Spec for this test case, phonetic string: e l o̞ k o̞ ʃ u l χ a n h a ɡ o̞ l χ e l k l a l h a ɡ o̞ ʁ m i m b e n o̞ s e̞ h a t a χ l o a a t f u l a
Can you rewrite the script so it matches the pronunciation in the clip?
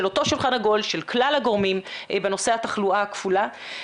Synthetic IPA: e l o̞ t o̞ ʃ u l χ a n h a ɡ o̞ l ʃ e l k l a l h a ɡ o̞ ʁ m i m b e n o̞ s e̞ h a t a χ l u a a k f u l a